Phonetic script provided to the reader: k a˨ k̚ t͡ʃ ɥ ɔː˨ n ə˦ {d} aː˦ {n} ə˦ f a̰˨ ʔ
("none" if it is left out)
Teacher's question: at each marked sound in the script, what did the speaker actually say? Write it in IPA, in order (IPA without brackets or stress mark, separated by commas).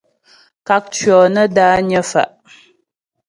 d, ɲ